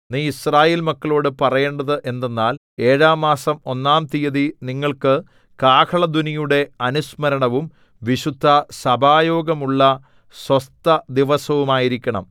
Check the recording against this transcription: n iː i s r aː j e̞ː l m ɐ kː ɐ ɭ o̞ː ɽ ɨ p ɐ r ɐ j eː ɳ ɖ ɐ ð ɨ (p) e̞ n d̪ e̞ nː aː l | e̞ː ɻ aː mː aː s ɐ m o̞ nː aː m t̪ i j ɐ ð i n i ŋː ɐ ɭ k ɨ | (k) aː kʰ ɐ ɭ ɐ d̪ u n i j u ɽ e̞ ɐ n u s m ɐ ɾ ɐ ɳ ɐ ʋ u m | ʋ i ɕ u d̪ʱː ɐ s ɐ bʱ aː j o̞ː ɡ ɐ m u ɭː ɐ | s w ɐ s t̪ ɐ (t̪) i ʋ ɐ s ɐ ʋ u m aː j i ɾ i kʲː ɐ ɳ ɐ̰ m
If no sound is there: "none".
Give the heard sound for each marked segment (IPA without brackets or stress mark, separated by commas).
ʔ, k, d̪